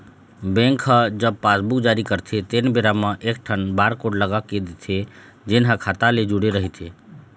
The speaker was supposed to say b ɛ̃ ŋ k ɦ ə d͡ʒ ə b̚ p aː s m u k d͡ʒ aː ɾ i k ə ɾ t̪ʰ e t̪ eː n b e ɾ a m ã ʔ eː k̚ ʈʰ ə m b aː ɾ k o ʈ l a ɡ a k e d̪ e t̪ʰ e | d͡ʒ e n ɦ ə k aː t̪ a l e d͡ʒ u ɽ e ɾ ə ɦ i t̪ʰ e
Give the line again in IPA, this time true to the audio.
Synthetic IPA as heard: b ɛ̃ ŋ k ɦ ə d͡ʒ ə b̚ p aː s b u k d͡ʒ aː ɾ i k ə ɾ t̪ʰ e t̪ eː n b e ɾ a m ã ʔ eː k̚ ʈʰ ə n b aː ɾ k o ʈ l ə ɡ a k e d̪ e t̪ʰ e | d͡ʒ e n ɦ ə kʰ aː t̪ a l e d͡ʒ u ɽ e ɾ ə ɦ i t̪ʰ e